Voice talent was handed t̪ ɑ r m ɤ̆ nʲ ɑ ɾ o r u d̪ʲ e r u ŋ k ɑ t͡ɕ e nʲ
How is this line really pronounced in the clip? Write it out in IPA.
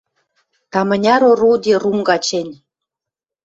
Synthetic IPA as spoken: t̪ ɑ m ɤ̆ nʲ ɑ ɾ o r u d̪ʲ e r u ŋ ɡ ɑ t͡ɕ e nʲ